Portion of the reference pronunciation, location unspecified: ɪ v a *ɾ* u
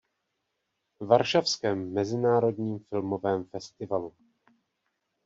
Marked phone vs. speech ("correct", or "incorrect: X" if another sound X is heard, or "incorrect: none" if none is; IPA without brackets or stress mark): incorrect: l